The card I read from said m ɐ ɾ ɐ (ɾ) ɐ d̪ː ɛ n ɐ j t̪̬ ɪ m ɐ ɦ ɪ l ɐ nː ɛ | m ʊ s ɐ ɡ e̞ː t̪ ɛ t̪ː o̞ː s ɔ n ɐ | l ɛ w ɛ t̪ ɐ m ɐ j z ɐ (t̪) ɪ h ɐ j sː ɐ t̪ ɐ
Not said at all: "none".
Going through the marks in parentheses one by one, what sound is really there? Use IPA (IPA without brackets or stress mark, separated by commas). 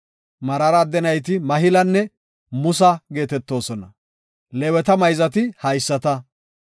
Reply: ɾ, t̪